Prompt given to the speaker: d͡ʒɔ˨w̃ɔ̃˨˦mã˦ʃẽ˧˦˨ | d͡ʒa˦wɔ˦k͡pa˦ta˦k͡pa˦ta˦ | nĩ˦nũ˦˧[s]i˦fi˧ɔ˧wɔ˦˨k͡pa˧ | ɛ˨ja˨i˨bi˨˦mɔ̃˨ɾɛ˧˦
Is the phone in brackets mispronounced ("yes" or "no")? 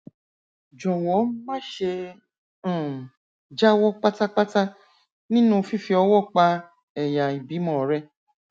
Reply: yes